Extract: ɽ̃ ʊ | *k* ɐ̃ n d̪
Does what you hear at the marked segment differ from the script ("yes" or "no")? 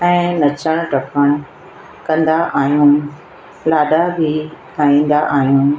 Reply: no